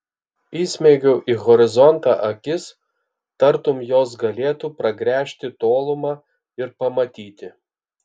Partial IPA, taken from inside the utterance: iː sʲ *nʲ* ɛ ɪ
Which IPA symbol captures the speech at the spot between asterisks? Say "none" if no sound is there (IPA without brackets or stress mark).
mʲ